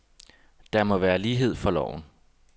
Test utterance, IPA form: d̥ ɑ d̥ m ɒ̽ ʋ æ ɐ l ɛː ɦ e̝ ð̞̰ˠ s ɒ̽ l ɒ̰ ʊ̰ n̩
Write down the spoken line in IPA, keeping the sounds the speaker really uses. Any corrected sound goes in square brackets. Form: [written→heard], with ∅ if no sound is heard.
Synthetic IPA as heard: d̥ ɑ [d̥→∅] m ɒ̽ ʋ [æ→æː] ɐ l [ɛː→iː] ɦ e̝ ð̞̰ˠ [s→f] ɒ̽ l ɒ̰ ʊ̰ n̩